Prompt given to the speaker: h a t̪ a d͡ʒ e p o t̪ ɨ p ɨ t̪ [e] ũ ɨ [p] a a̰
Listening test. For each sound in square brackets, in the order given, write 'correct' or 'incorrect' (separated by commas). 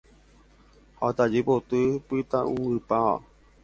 incorrect, correct